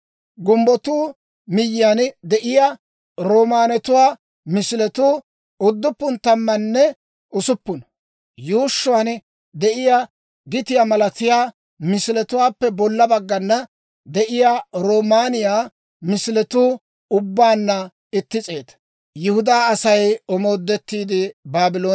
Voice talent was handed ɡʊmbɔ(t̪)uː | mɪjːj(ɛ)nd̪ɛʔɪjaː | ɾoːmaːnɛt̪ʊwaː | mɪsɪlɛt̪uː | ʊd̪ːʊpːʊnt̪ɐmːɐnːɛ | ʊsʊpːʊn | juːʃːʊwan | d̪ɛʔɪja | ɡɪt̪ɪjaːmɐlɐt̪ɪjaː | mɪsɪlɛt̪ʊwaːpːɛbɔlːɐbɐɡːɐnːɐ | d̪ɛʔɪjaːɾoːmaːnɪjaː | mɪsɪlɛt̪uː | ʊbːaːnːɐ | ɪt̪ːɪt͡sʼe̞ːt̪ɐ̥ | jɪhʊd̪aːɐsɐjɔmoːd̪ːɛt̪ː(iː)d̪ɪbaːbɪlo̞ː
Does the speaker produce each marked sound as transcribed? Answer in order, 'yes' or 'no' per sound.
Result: yes, no, yes

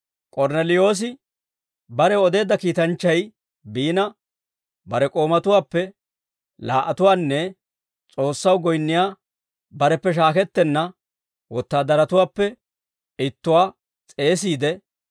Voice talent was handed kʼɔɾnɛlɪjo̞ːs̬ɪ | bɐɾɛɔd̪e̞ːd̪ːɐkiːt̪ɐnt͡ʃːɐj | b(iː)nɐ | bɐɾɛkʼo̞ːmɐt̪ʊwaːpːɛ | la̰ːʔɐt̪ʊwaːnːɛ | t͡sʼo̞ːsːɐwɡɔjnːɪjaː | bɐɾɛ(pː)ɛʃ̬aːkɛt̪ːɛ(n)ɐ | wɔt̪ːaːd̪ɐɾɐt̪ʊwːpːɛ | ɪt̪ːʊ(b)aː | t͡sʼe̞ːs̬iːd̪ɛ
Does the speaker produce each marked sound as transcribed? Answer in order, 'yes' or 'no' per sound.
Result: yes, yes, no, no

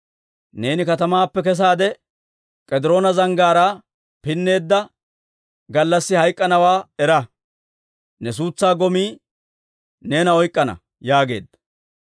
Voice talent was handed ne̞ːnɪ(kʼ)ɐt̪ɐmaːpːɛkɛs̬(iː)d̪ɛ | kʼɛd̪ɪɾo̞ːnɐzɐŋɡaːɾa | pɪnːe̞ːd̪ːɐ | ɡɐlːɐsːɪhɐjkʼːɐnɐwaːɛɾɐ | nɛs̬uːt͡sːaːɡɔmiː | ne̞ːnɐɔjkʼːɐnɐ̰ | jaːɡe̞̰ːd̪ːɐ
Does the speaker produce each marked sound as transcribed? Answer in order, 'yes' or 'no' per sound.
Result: no, no

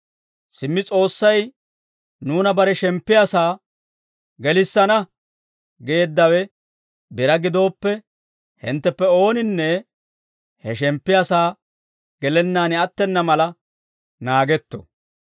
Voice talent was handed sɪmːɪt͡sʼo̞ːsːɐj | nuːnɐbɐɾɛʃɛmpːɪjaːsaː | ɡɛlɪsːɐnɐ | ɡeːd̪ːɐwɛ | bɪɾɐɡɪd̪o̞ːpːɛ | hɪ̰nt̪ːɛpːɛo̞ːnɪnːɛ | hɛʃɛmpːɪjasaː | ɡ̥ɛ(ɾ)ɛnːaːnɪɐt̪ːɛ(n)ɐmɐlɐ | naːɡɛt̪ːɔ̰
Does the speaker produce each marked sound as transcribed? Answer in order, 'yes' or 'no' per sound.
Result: no, no

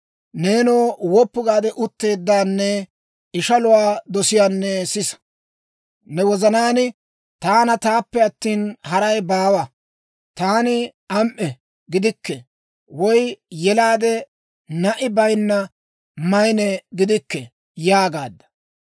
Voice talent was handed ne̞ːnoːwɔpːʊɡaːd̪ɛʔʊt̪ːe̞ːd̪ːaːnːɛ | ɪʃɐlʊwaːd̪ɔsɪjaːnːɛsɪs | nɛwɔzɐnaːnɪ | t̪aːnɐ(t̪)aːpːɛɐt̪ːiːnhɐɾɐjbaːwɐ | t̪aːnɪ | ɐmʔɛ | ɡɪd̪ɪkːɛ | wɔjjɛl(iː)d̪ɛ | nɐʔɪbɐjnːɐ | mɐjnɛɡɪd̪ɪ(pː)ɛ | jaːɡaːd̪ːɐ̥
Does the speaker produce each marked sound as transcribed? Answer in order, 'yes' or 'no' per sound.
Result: yes, no, no

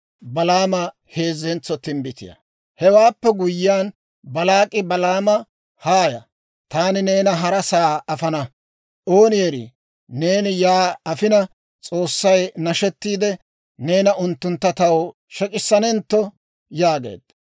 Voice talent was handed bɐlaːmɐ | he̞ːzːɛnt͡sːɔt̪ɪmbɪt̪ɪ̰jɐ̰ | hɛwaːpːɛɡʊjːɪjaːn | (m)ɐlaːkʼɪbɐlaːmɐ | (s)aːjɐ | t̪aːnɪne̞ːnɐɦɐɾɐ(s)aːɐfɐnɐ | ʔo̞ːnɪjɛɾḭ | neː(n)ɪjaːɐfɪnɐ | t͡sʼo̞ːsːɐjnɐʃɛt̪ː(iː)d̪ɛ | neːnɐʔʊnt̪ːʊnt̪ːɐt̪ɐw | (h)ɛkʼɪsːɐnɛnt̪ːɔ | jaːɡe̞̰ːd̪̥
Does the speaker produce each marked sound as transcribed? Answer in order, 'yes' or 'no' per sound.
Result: no, no, yes, yes, yes, no

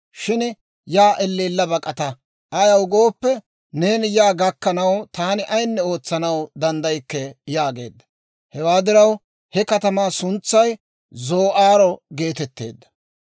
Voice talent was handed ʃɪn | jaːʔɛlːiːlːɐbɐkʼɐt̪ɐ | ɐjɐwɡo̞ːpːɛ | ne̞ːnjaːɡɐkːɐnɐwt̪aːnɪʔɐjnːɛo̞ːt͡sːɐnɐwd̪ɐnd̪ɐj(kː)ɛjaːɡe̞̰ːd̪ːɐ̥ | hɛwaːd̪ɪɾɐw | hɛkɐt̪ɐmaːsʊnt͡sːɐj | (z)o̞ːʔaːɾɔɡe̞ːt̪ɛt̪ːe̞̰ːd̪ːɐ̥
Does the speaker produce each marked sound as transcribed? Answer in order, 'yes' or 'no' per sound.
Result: yes, yes

